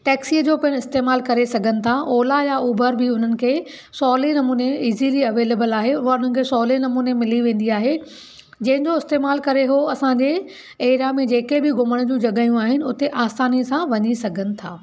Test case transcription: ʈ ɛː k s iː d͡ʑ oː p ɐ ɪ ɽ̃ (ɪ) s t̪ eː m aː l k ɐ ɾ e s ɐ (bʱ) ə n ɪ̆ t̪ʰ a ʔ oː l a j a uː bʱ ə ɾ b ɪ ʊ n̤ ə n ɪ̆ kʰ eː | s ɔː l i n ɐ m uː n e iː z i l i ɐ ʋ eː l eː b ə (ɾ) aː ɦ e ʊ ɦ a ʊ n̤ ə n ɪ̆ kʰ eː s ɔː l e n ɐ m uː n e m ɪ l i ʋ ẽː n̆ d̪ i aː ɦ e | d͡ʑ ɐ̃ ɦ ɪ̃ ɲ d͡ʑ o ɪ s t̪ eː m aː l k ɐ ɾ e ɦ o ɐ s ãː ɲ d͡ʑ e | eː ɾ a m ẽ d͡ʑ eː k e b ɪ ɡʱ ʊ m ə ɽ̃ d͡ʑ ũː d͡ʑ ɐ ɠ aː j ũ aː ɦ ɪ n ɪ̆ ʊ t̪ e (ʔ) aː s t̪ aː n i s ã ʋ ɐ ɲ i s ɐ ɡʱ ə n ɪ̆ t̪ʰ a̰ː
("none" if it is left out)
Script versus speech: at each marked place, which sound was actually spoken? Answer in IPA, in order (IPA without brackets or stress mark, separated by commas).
ɪ, ɡʱ, l, ʔ